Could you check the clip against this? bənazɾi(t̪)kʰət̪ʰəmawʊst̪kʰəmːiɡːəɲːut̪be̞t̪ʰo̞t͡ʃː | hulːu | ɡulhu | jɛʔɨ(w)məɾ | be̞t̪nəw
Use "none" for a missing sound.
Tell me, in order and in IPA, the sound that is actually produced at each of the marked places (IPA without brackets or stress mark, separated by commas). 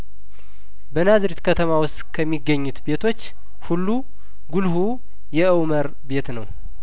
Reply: t̪, w